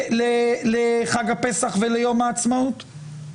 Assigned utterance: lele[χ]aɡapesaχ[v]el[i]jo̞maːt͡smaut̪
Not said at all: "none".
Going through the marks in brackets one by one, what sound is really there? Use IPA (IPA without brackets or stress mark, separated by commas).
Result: χ, v, e